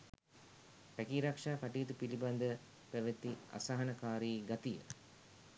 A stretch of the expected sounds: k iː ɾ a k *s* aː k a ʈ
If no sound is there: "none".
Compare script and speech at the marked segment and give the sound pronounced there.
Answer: ʂ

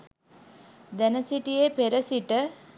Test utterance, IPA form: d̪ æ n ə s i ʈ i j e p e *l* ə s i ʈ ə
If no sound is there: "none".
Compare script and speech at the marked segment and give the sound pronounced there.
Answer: ɾ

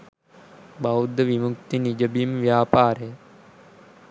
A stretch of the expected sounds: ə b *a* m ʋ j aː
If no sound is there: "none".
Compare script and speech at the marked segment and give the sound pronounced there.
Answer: i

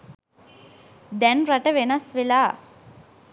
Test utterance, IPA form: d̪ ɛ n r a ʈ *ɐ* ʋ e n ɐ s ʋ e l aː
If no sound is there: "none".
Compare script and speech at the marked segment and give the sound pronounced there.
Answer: ə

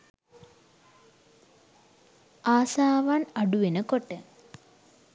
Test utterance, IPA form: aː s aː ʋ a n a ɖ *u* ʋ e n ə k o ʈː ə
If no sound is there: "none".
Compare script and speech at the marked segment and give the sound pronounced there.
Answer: u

